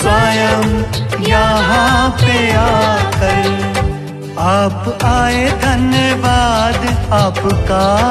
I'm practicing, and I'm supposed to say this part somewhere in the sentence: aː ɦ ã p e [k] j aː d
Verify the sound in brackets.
incorrect: none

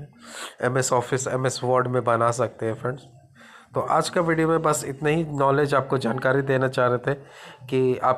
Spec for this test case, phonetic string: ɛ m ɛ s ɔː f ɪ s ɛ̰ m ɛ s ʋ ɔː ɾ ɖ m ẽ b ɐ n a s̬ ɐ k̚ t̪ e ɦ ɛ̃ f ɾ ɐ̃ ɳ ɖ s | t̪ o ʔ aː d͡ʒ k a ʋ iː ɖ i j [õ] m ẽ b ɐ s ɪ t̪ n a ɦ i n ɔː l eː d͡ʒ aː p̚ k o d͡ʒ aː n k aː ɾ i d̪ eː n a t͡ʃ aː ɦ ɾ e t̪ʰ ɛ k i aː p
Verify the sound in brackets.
incorrect: o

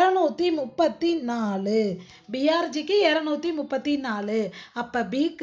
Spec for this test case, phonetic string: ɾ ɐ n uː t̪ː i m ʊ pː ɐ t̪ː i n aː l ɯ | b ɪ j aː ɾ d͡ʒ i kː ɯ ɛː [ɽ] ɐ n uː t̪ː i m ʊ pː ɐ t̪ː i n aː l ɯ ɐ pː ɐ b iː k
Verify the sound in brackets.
incorrect: ɾ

